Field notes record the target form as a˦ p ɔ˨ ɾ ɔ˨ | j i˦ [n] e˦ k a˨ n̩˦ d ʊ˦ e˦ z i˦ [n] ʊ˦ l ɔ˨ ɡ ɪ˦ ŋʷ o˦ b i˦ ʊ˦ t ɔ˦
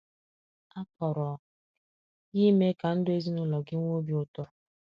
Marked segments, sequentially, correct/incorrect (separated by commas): incorrect, correct